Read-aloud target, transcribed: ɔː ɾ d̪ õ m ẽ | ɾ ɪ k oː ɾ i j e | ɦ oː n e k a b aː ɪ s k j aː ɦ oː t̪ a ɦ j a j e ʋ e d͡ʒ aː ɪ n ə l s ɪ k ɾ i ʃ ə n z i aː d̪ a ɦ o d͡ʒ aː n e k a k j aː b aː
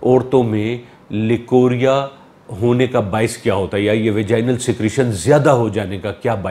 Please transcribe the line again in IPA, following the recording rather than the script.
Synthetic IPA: ɔː ɾ t̪ õ m ẽ | l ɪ k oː ɾ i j a | ɦ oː n e k a b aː ɪ s k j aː ɦ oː t̪ a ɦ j a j e ʋ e d͡ʒ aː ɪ n ə l s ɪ k ɾ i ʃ ə n z j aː d̪ a ɦ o d͡ʒ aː n e k a k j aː b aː